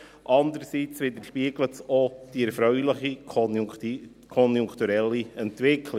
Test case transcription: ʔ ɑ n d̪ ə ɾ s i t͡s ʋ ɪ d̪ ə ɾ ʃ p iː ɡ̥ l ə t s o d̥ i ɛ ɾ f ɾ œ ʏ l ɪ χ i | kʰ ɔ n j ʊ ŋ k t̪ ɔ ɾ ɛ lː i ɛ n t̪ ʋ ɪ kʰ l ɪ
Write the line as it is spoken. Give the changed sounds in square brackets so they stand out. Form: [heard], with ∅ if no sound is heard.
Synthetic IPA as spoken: ʔ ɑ n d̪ ə ɾ s i t͡s ʋ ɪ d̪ ə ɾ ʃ p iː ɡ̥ l ə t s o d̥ i ɛ ɾ f ɾ œ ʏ l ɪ χ i | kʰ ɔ n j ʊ ŋ k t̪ [u] ɾ ɛ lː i ɛ n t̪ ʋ ɪ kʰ l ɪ